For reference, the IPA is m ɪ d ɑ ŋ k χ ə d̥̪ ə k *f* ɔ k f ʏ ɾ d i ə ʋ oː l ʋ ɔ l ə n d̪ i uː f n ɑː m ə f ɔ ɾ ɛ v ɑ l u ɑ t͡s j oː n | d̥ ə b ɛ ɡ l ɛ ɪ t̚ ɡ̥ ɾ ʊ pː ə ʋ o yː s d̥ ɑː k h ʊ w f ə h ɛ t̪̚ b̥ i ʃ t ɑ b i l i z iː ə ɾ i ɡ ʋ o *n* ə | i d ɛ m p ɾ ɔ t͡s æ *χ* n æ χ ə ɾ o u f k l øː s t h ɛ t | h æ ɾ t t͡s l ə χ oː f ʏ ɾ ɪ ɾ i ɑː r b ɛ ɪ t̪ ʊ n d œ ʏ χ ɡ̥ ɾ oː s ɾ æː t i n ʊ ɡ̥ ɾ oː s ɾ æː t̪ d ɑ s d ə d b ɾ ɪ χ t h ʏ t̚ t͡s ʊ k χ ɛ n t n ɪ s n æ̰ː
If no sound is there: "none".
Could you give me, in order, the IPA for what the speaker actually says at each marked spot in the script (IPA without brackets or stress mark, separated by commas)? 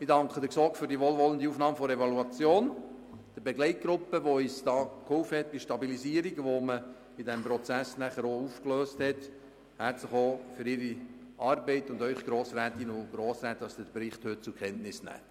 s, m, s